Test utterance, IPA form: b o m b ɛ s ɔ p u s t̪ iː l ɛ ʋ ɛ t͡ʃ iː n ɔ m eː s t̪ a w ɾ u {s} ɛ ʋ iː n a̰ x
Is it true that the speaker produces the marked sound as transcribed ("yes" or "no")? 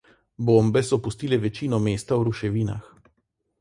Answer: no